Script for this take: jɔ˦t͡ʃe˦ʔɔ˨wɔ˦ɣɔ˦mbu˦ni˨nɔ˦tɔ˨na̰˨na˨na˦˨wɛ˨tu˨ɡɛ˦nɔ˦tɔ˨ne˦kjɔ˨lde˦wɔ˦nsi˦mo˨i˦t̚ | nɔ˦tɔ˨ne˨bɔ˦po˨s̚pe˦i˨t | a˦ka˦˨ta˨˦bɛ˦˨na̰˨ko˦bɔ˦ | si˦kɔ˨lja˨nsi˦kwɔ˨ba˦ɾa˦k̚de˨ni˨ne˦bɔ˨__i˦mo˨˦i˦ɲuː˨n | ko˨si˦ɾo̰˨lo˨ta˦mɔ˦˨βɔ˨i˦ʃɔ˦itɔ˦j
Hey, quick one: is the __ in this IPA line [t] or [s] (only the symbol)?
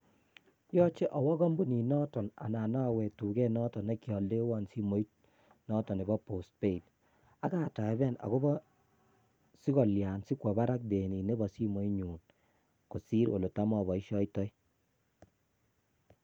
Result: s